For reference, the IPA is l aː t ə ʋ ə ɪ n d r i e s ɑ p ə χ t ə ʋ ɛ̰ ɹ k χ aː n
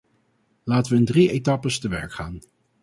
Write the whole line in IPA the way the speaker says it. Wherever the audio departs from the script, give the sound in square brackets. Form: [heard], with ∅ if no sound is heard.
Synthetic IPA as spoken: l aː t ə ʋ ə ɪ n d r i e [t] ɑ p ə [s] t ə ʋ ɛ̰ ɹ k χ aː n